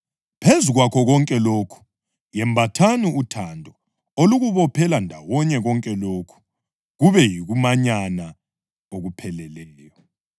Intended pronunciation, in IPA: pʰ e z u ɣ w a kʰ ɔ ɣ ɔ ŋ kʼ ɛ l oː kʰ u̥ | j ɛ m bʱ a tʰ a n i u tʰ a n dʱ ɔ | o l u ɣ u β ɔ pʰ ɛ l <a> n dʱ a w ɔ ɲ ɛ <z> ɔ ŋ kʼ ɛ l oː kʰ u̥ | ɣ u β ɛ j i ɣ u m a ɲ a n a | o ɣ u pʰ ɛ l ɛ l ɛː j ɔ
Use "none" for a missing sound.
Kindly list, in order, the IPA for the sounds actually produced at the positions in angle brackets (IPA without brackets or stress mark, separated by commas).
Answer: a, ɣ